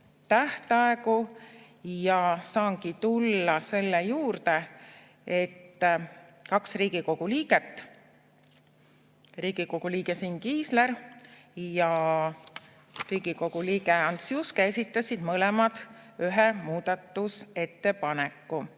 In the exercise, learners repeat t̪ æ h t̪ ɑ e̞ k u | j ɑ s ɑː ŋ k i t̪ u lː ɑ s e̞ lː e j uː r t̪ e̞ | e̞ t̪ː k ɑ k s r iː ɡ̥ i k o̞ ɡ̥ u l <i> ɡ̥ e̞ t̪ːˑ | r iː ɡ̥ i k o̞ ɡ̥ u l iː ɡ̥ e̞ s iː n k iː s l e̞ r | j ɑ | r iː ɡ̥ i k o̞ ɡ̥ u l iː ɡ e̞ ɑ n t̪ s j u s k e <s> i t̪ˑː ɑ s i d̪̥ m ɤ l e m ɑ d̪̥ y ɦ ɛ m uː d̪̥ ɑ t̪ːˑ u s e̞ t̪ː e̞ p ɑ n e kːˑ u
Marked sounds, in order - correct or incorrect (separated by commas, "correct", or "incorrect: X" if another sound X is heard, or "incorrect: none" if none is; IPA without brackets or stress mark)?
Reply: incorrect: iː, correct